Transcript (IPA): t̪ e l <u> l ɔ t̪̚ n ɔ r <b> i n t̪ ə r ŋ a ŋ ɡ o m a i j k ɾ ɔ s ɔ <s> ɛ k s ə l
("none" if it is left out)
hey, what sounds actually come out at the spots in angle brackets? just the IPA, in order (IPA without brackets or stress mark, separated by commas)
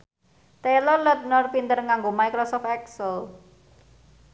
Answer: ɔ, p, f